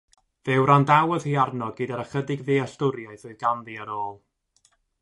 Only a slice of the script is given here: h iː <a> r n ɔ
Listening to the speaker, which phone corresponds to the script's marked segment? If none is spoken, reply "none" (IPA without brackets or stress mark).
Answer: a